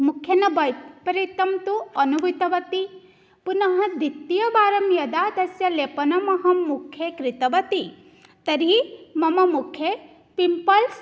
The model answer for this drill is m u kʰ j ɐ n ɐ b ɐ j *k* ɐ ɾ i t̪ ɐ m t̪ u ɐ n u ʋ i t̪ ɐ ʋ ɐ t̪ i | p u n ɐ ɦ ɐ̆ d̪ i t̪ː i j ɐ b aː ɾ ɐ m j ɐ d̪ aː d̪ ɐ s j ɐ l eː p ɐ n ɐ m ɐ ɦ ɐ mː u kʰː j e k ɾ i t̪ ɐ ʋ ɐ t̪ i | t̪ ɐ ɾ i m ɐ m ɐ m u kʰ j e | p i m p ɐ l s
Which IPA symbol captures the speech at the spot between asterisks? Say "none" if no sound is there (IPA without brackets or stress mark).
p